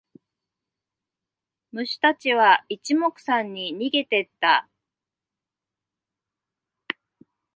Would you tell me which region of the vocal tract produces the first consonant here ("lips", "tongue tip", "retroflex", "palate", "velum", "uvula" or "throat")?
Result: lips